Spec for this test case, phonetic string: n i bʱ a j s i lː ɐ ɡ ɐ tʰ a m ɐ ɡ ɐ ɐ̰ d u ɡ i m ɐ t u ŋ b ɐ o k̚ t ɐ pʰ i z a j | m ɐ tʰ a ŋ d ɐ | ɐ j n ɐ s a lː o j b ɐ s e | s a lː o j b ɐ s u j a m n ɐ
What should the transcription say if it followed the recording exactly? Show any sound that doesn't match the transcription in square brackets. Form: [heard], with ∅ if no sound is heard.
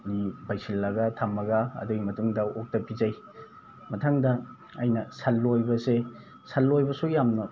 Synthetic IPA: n i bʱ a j s i lː ɐ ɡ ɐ tʰ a m ɐ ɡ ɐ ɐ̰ d u ɡ i m ɐ t u ŋ [d] ɐ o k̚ t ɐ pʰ i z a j | m ɐ tʰ a ŋ d ɐ | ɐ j n ɐ s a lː o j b ɐ s e | s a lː o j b ɐ s u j a m n ɐ